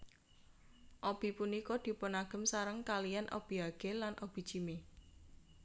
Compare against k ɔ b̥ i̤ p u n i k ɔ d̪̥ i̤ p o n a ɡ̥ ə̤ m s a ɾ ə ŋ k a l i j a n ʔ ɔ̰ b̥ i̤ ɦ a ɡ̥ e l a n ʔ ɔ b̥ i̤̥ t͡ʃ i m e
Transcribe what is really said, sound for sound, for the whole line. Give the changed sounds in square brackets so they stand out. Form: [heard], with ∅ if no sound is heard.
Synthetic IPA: [ʔ] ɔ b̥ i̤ p u n i k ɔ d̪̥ i̤ p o n a ɡ̥ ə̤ m s a ɾ ə ŋ k a l i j a n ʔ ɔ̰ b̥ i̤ ɦ a ɡ̥ e l a n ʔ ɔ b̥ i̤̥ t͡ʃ i m e

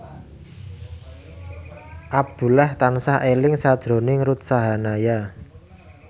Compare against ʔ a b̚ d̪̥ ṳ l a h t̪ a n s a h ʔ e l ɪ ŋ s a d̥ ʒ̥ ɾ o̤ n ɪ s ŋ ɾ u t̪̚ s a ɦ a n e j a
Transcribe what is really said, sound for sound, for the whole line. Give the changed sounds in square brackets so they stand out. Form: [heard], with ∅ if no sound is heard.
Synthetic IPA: ʔ a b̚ d̪̥ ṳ l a h t̪ a n s a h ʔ e l ɪ ŋ s a d̥ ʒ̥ ɾ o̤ n ɪ [∅] ŋ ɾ u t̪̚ s a ɦ a n [a] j a

